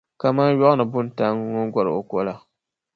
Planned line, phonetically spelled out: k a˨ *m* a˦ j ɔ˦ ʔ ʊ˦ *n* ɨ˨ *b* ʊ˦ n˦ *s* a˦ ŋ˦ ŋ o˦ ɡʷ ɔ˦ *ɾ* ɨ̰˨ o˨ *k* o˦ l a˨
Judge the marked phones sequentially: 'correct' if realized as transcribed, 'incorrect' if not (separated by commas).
correct, correct, correct, incorrect, correct, correct